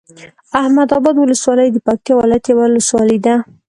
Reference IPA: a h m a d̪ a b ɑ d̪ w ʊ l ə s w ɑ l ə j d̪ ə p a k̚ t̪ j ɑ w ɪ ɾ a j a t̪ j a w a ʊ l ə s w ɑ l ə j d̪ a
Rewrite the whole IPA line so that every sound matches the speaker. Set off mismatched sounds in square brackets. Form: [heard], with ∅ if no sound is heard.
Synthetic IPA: a h m a d̪ [ɑ] b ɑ d̪ w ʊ l ə s w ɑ l ə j d̪ ə p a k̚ t̪ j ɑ w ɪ [l] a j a t̪ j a w a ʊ l ə s w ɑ l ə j d̪ a